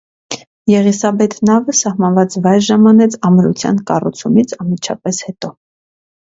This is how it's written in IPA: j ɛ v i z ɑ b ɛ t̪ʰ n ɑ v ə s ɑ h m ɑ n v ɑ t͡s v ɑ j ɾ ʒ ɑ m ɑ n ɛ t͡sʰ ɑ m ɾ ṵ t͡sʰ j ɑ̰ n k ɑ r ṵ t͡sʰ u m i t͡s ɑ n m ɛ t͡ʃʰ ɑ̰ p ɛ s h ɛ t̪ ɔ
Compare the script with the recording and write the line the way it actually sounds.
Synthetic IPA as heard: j ɛ ʁ i s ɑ b ɛ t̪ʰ n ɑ v ə s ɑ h m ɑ n v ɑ t͡s v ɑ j ɾ ʒ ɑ m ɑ n ɛ t͡sʰ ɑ m ɾ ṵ t͡sʰ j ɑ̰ n k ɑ r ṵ t͡sʰ u m i t͡sʰ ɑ n m i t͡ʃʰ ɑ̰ p ɛ s h ɛ t̪ ɔ

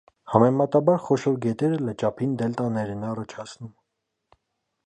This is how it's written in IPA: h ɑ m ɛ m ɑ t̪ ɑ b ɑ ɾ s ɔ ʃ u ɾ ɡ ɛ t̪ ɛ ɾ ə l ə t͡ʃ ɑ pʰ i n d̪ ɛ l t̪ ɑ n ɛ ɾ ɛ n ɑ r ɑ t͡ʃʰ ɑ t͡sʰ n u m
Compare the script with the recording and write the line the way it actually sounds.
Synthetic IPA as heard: h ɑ m ɛ m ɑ t̪ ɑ b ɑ ɾ χ ɔ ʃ ɔ ɾ ɡ ɛ t̪ ɛ ɾ ə l ə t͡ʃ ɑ pʰ i n d̪ ɛ l t̪ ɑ n ɛ ɾ ɛ n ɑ r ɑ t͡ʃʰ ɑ t͡sʰ n u m

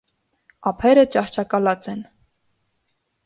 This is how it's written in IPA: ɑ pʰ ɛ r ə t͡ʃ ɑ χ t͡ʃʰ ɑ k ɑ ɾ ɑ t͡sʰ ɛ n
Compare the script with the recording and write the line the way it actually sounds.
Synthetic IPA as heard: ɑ pʰ ɛ ɾ ə t͡ʃ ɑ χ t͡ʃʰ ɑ k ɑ l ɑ t͡s ɛ n

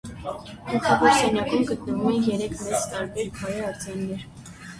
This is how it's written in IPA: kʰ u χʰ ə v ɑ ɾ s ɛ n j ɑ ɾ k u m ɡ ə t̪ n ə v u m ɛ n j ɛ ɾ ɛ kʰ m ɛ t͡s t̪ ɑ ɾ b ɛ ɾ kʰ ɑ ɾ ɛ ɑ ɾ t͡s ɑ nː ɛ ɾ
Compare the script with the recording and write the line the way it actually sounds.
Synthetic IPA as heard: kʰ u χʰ ɑ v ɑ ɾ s ɛ n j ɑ k u m ɡ ə t̪ n ə v u m ɛ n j ɛ ɾ ɛ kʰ m ɛ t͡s t̪ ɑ ɾ b ɛ ɾ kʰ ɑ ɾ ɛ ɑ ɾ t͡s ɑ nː ɛ ɾ

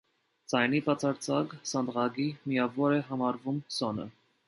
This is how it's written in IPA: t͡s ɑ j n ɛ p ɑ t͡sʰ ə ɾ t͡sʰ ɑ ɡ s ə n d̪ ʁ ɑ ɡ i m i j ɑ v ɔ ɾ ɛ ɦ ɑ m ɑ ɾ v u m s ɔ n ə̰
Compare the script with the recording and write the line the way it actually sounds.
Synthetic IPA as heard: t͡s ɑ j n i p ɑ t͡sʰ ɑ ɾ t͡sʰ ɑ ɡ s ɑ n d̪ ʁ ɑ ɡ i m i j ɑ v ɔ ɾ ɛ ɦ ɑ m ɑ ɾ v u m s ɔ n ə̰

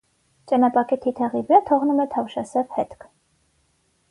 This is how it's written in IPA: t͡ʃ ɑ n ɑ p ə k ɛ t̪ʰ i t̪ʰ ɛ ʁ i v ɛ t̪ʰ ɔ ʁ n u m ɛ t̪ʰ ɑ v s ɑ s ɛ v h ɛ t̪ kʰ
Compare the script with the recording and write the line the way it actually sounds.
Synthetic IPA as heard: t͡ʃ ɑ n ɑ p ɑ k ɛ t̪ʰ i t̪ʰ ɛ ʁ i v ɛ t̪ʰ ɔ ʁ n u m ɛ t̪ʰ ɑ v ʃ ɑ s ɛ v h ɛ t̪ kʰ

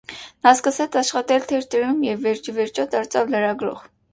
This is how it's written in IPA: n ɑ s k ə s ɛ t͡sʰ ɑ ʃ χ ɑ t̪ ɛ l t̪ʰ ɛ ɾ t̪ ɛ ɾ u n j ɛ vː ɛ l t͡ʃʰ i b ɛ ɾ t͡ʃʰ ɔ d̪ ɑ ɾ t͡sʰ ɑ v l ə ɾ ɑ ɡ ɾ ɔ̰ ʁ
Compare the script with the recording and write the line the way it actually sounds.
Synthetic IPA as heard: n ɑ s k ə s ɛ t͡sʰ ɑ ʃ χ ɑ t̪ ɛ l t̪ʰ ɛ ɾ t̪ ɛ ɾ u m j ɛ vː ɛ ɾ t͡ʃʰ i v ɛ ɾ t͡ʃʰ ɔ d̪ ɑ ɾ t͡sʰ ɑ v l ə ɾ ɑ ɡ ɾ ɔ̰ ʁ

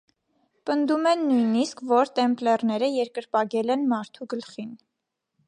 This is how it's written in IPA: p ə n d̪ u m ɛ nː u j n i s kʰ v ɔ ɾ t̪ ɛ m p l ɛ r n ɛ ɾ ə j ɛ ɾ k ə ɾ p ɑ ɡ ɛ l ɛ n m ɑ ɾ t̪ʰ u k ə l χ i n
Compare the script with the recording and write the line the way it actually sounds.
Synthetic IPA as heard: p ə n d̪ u m ɛ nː u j n i s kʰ v ɔ ɾ t̪ ɛ m p l ɛ r n ɛ ɾ ə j ɛ ɾ k ə ɾ p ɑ ɡ ɛ l ɛ n m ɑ ɾ t̪ʰ u ɡ ə l χ i n

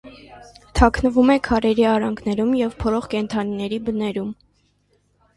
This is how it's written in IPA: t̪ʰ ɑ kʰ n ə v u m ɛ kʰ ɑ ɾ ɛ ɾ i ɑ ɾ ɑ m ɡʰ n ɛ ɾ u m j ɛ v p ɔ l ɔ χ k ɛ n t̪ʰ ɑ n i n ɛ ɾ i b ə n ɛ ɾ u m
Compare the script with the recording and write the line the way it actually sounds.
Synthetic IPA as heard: t̪ʰ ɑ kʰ n ə v u m ɛ kʰ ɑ ɾ ɛ ɾ i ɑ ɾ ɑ ŋ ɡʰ n ɛ ɾ u m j ɛ v pʰ ɔ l ɔ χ k ɛ n t̪ʰ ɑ n i n ɛ ɾ i b ə n ɛ ɾ u m

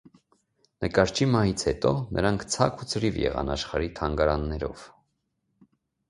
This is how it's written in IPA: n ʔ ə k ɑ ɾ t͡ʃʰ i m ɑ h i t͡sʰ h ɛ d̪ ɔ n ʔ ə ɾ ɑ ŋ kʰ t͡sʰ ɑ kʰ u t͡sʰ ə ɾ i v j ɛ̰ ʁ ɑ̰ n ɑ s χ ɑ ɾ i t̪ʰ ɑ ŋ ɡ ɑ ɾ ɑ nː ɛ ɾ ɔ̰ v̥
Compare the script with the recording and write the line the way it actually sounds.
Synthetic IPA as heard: n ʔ ə k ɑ ɾ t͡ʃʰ i m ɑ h i t͡sʰ h ɛ t̪ ɔ n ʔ ə ɾ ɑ ŋ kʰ t͡sʰ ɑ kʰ u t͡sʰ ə ɾ i v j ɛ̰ ʁ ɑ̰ n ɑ ʃ χ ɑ ɾ i t̪ʰ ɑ ŋ ɡ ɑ ɾ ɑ nː ɛ ɾ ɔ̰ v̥

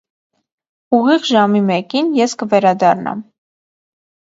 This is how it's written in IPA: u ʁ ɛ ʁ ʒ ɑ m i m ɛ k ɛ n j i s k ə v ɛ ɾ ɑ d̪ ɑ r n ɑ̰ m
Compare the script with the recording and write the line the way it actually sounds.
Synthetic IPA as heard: u ʁ i ʁ ʒ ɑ m i m ɛ k i n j ɛ s k ə v ɛ ɾ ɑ d̪ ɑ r n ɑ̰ m

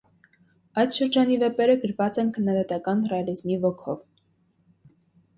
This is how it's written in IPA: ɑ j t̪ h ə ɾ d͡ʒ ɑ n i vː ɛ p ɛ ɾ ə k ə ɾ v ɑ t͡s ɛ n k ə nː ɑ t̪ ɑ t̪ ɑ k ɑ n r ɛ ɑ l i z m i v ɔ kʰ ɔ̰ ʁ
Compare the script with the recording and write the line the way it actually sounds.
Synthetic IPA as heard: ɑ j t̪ ʃ ə ɾ d͡ʒ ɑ n i v ɛ p ɛ ɾ ə ɡ ə ɾ v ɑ t͡s ɛ n kʰ ə nː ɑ d̪ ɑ t̪ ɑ k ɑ n r ɛ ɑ l i z m i v ɔ kʰ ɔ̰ v

